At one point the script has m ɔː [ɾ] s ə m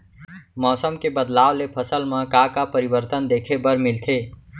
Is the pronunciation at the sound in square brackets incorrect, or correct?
incorrect